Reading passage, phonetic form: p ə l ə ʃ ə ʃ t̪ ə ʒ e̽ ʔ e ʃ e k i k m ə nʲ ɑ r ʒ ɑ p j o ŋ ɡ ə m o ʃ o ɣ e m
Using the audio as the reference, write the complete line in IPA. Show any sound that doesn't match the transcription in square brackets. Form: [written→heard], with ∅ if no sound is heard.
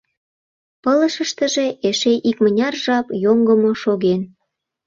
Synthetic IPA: p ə l ə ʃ ə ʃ t̪ ə ʒ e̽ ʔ e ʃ e [k→ʔ] i k m ə nʲ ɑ r ʒ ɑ p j o ŋ ɡ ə m o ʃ o ɣ e [m→n]